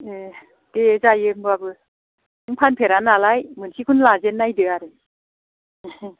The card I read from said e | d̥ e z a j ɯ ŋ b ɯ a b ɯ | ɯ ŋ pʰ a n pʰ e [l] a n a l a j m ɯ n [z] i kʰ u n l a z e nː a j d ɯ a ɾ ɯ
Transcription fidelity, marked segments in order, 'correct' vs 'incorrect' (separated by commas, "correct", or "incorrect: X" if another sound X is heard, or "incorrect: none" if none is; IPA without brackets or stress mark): incorrect: ɾ, incorrect: s